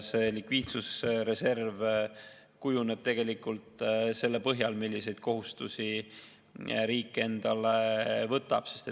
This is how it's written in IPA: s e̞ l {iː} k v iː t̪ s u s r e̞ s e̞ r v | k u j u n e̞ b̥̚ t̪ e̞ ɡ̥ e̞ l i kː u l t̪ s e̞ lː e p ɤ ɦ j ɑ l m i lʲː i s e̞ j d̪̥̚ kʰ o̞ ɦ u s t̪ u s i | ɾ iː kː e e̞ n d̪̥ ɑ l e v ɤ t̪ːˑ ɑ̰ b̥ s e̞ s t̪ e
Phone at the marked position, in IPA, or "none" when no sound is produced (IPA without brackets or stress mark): i